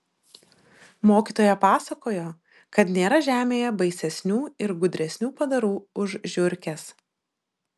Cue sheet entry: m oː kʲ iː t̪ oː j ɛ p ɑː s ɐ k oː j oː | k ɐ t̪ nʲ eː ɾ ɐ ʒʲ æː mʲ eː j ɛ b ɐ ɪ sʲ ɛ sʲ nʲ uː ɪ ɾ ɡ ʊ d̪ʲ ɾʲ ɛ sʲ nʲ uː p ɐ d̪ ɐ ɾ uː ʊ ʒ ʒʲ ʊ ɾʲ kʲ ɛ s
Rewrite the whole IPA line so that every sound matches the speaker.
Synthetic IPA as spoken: m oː kʲ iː t̪ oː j ɛ p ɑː s ɐ k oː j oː | k ɐ t̪ nʲ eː ɾ ɐ ʒʲ æː mʲ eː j ɛ b ɐ ɪ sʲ ɛ sʲ nʲ uː ɪ ɾ ɡ ʊ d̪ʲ ɾʲ ɛ sʲ nʲ uː p ɐ d̪ ɐ ɾ uː ʊ ʒ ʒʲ ʊ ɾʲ kʲ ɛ s